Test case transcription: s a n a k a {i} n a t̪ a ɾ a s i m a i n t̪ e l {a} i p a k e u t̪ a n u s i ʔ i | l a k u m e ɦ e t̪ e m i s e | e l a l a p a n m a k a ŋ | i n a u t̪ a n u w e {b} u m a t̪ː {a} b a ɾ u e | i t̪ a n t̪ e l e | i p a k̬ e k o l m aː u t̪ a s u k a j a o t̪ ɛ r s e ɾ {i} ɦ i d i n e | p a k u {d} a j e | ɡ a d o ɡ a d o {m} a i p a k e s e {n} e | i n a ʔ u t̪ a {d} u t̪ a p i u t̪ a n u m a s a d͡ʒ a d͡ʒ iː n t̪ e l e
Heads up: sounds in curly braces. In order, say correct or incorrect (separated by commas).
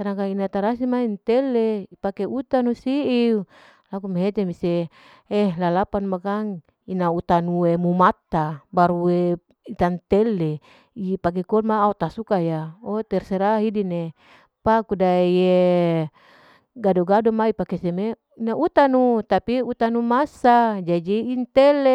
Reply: correct, incorrect, incorrect, correct, incorrect, correct, correct, incorrect, incorrect